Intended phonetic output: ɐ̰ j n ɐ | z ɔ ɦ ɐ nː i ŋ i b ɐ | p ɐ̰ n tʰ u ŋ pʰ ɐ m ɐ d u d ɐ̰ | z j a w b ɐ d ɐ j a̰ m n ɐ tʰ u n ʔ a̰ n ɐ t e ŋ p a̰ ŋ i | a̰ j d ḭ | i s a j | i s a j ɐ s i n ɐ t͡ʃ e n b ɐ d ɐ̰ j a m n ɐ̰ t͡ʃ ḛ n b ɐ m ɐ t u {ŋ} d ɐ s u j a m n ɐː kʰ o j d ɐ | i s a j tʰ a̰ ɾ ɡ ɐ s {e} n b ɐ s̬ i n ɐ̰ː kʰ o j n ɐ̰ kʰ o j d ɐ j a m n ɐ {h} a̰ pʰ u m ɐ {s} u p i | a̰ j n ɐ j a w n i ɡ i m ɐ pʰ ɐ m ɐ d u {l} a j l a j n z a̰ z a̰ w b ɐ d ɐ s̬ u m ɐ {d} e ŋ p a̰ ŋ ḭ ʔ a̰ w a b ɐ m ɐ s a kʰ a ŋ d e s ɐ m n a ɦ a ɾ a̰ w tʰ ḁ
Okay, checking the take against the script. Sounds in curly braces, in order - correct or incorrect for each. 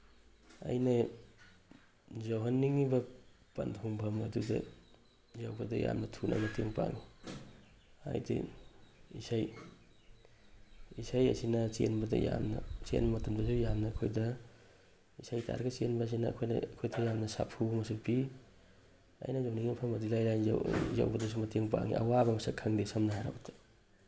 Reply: incorrect: m, correct, incorrect: s, correct, correct, incorrect: t

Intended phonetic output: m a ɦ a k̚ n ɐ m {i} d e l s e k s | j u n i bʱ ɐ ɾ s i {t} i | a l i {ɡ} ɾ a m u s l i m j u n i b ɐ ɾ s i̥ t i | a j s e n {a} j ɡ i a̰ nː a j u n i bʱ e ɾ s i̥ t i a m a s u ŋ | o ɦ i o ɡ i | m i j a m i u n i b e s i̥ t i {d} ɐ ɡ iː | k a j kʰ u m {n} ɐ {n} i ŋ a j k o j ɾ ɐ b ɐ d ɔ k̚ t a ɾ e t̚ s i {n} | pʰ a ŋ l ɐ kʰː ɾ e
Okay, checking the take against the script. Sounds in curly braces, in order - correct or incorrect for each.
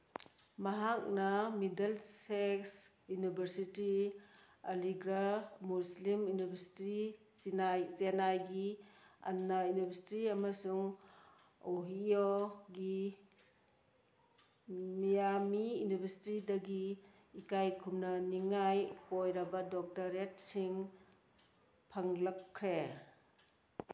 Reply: correct, correct, correct, correct, correct, correct, correct, incorrect: ŋ

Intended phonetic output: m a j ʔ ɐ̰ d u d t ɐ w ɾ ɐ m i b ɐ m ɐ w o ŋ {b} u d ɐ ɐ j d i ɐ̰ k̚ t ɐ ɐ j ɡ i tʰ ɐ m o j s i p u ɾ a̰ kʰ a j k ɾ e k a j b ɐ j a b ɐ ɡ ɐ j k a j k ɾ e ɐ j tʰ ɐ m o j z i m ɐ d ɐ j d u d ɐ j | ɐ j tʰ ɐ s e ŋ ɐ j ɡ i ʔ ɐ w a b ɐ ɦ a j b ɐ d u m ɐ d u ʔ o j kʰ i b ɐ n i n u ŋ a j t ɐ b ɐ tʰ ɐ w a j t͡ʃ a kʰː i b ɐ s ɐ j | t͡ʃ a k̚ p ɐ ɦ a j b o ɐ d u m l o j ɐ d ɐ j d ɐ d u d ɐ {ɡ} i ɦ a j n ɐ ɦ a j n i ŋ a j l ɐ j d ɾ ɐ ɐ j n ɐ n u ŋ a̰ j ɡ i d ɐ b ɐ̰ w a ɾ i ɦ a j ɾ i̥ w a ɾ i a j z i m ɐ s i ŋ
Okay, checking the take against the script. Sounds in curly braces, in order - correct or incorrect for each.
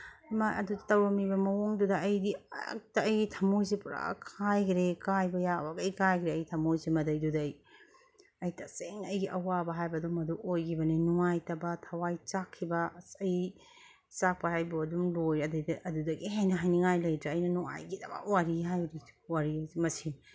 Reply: incorrect: d, correct

